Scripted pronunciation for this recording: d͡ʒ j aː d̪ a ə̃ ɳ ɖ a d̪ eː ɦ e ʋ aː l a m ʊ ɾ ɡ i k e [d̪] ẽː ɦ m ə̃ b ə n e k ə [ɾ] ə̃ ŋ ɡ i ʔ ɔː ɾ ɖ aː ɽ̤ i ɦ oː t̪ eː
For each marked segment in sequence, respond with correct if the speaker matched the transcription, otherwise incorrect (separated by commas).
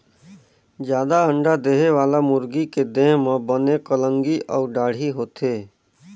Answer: correct, incorrect